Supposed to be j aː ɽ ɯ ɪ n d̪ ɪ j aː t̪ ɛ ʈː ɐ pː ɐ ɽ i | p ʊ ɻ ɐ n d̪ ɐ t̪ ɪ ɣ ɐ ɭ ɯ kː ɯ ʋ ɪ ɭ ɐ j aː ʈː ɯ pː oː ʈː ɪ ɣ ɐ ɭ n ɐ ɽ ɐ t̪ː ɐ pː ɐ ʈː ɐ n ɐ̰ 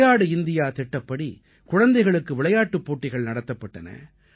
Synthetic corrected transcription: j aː ɽ ɯ ɪ n d̪ ɪ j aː t̪ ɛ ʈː ɐ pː ɐ ɽ i | k ʊ ɻ ɐ n d̪ ɐ ɪ ɣ ɐ ɭ ɯ kː ɯ ʋ ɪ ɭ ɐ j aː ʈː ɯ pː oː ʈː ɪ ɣ ɐ ɭ n ɐ ɽ ɐ t̪ː ɐ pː ɐ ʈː ɐ n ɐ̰